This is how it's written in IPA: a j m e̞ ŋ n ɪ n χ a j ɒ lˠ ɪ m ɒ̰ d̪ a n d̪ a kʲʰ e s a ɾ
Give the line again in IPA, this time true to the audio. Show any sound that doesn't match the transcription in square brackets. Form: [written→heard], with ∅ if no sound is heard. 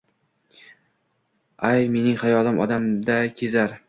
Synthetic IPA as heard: a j m e̞ [ŋ→∅] n ɪ [n→ŋ] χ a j ɒ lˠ ɪ m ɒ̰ d̪ a [n→m] d̪ a kʲʰ e [s→z] a ɾ